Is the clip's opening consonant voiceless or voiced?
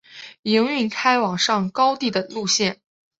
voiced